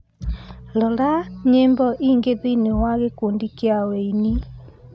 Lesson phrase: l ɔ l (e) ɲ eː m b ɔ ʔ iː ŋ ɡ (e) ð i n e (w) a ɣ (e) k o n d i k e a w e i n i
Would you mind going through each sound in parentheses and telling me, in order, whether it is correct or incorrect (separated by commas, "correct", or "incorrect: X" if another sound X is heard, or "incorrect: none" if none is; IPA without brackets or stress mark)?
incorrect: a, correct, correct, correct